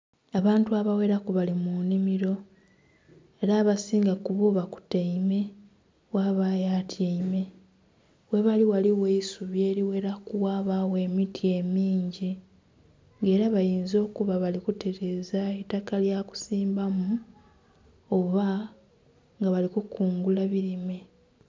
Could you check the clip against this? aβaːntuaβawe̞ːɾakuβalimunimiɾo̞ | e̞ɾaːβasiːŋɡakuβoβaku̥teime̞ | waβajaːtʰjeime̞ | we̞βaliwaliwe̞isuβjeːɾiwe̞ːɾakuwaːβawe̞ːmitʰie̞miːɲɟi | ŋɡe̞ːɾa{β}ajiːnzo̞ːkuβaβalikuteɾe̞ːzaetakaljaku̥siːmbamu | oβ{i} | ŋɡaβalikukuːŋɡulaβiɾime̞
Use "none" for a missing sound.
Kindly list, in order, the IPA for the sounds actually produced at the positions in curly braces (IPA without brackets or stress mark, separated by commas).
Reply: β, a